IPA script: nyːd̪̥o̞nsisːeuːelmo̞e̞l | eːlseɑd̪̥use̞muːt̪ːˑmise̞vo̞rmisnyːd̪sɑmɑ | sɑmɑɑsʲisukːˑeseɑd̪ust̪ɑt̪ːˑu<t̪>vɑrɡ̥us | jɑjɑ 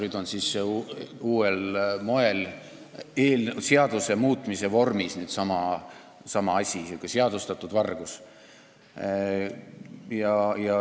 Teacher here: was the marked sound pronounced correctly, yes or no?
no